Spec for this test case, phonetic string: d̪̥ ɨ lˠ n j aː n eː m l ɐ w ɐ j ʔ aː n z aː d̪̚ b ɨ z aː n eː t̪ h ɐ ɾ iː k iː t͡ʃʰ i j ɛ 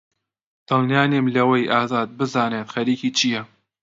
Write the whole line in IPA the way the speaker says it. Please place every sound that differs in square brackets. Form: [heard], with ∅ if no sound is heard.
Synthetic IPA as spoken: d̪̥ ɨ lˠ n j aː n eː m l ɐ w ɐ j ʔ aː [∅] z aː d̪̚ b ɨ z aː n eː t̪ [x] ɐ ɾ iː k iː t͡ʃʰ i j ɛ